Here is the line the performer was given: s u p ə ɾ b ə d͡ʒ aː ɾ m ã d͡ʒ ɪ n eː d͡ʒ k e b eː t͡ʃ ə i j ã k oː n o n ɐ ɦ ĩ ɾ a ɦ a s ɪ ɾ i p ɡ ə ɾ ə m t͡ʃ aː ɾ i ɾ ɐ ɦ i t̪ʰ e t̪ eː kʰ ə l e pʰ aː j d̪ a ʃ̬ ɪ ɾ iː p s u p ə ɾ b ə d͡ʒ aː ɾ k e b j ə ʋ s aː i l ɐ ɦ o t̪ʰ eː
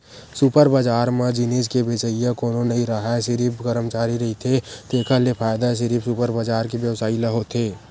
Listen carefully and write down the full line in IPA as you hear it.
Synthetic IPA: s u p ə ɾ b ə d͡ʒ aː ɾ m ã d͡ʒ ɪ n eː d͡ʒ k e b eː t͡ʃ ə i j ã k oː n o n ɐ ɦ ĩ ɾ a ɦ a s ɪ ɾ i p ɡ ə ɾ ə m t͡ʃ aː ɾ i ɾ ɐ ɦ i t̪ʰ e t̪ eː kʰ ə l e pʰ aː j d̪ a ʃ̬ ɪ ɾ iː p s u p ə ɾ b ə d͡ʒ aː ɾ k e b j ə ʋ s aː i l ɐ ɦ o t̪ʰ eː